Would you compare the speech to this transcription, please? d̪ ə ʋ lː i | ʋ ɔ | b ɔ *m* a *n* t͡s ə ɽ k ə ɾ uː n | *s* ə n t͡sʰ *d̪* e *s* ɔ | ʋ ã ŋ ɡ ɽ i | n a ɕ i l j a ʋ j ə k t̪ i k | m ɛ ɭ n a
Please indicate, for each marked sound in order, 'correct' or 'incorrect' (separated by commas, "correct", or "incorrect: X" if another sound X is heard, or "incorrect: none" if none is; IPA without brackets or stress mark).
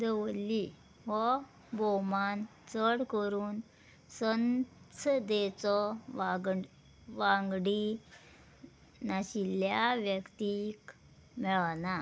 correct, correct, correct, correct, incorrect: t͡s